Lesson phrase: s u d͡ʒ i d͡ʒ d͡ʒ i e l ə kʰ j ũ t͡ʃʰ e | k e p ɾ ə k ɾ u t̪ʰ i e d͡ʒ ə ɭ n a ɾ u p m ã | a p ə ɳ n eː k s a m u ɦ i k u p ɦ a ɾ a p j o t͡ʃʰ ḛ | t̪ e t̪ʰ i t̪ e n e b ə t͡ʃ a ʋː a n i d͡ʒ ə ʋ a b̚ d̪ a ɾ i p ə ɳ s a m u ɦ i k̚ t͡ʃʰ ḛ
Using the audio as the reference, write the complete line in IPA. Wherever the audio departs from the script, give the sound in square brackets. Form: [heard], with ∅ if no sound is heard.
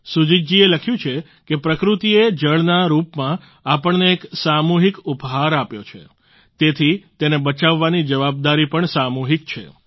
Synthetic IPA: s u d͡ʒ i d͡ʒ d͡ʒ i e l ə kʰ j ũ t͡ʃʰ e | k e p ɾ ə k ɾ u [t̪] i e d͡ʒ ə ɭ n a ɾ u p m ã | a p ə ɳ n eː k s a m u ɦ i k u p ɦ a ɾ a p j o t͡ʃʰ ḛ | t̪ e t̪ʰ i t̪ e n e b ə t͡ʃ a ʋː a n i d͡ʒ ə ʋ a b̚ d̪ a ɾ i p ə ɳ s a m u ɦ i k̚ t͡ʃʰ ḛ